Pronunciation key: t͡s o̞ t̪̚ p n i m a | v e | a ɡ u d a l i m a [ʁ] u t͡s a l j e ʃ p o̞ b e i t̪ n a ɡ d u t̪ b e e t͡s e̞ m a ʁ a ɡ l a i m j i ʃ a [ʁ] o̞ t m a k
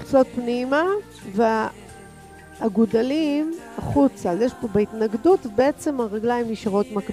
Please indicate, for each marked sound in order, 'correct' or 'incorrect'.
incorrect: χ, correct

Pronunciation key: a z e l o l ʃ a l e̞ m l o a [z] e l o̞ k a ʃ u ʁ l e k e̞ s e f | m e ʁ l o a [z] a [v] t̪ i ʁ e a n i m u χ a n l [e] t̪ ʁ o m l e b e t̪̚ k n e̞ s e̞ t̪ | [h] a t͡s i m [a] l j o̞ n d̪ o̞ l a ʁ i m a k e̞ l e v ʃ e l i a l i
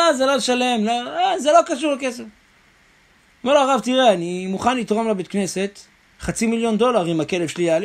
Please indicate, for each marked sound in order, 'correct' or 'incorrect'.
correct, incorrect: ʁ, correct, incorrect: i, incorrect: χ, incorrect: i

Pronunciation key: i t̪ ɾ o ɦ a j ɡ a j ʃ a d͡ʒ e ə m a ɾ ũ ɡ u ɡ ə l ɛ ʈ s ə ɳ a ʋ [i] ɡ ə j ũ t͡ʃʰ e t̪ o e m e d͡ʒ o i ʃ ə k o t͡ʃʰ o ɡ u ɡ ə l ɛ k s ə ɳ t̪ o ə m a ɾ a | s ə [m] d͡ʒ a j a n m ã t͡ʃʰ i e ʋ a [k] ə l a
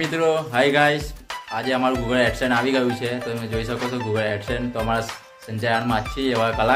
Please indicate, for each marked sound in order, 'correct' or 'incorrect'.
correct, incorrect: ɲ, correct

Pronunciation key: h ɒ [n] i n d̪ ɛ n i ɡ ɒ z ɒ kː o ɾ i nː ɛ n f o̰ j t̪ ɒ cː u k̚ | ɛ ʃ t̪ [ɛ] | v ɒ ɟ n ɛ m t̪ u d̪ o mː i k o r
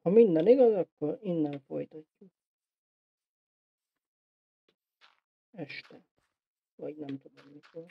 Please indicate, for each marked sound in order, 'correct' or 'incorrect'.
incorrect: m, correct

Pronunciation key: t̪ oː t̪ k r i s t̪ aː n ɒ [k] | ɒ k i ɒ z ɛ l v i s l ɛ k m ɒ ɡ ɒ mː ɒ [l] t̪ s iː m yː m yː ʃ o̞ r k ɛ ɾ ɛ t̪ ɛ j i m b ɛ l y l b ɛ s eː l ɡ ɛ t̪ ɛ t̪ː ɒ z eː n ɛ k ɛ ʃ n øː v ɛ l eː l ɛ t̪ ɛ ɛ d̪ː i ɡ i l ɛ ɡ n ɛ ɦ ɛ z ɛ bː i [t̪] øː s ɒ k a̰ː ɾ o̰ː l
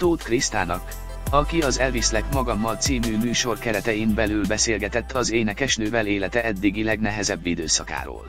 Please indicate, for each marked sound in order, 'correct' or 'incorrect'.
correct, correct, incorrect: d̪

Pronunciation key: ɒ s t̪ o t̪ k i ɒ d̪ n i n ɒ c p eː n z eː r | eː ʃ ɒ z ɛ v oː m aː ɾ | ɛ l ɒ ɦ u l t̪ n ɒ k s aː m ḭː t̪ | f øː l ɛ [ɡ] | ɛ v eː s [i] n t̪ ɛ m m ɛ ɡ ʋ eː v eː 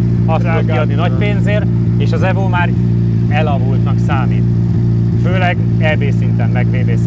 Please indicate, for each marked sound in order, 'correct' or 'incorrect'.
correct, correct

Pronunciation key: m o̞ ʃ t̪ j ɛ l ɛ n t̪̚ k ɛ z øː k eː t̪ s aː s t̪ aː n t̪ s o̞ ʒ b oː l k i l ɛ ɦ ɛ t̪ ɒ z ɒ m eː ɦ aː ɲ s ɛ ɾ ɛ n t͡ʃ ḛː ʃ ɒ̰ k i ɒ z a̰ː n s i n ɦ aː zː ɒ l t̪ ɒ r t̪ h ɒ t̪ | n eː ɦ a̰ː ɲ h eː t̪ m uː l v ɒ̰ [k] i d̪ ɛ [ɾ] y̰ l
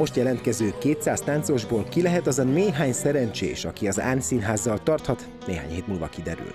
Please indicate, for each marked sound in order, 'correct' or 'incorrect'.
correct, correct

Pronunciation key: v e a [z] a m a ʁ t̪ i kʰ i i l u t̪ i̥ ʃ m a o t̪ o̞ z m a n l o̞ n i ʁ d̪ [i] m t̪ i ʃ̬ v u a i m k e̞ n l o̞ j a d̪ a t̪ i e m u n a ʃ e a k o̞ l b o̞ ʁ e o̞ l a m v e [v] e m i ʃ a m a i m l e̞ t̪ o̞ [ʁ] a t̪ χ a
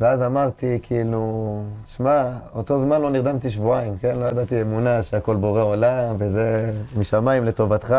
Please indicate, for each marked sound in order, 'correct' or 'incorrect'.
correct, incorrect: a, incorrect: z, incorrect: v

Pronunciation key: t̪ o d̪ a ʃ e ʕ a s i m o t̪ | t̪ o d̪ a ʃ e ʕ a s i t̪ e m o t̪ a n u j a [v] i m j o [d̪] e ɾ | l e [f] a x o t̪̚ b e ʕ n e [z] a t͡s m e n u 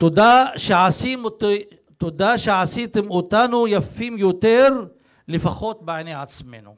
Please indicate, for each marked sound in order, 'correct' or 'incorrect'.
incorrect: f, incorrect: t̪, correct, incorrect: ʕ

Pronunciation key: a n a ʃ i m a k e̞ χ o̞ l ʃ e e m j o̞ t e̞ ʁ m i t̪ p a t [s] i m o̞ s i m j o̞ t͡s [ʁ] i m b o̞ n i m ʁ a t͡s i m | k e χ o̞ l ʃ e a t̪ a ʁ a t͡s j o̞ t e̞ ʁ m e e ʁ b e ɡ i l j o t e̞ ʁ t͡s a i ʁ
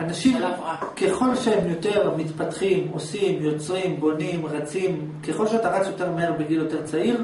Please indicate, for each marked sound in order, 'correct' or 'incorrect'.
incorrect: χ, correct

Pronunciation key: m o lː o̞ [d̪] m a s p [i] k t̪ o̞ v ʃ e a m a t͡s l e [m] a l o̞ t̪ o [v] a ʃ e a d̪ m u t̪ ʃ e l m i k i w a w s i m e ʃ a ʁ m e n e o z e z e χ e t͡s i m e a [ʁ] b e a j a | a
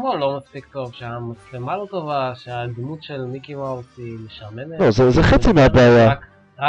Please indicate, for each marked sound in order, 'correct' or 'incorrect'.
incorrect: none, correct, correct, correct, incorrect: none

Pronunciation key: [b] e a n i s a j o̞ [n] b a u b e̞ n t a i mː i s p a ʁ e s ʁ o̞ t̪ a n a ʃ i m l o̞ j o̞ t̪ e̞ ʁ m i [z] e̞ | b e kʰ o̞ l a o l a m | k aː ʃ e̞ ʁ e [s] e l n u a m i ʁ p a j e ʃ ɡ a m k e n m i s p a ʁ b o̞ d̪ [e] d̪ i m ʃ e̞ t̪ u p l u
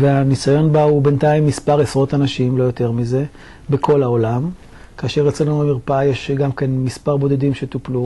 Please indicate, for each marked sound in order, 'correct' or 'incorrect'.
incorrect: v, correct, correct, incorrect: t͡s, correct

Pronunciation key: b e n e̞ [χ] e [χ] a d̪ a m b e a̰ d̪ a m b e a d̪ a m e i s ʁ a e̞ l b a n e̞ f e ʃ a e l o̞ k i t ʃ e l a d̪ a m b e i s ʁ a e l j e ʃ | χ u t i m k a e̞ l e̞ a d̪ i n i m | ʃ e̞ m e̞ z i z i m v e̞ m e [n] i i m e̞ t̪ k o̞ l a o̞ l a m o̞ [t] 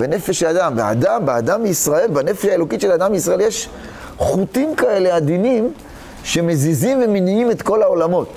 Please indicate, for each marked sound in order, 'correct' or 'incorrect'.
incorrect: f, incorrect: ʃ, correct, correct

